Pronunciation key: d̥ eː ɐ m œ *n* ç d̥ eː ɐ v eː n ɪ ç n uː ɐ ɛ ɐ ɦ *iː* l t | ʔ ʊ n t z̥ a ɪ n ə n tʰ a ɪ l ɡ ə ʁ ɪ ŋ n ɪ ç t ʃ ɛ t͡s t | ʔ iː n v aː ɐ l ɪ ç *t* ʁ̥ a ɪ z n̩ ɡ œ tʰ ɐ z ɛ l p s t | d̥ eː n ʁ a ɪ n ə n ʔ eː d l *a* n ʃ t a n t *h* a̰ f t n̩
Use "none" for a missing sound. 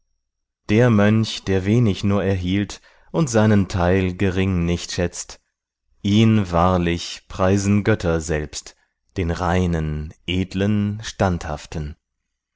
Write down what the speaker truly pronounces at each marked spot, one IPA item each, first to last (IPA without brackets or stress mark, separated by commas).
n, iː, p, ə, h